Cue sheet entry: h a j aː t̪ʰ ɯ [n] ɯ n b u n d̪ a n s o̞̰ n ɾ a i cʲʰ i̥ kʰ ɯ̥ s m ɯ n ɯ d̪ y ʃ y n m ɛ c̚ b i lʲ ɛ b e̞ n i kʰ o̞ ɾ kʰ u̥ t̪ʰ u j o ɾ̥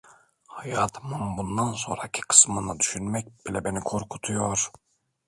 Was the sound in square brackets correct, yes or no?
no